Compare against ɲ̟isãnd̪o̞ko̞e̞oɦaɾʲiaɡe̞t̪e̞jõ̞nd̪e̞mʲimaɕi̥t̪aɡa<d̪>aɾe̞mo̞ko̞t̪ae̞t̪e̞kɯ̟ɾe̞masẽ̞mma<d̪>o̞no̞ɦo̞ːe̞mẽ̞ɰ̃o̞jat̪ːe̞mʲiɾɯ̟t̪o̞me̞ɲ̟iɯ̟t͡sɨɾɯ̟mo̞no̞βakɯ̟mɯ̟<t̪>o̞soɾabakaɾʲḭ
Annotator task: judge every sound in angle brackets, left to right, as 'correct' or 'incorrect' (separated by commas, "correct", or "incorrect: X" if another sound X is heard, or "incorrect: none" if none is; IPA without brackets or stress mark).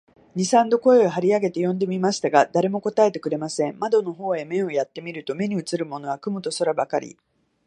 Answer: correct, correct, correct